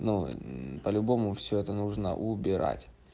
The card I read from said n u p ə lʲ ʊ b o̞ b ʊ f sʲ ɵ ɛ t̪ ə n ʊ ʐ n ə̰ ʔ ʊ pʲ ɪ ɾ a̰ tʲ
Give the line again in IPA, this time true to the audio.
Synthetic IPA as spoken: n u p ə lʲ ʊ b o̞ m ʊ f sʲ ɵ ɛ t̪ ə n u ʐ n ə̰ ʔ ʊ bʲ ɪ ɾ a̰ tʲ